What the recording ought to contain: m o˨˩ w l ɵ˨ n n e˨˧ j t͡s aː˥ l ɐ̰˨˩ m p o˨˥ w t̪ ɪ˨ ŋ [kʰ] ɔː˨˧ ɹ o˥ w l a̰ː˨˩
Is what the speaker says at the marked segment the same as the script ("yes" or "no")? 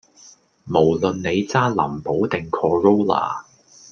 yes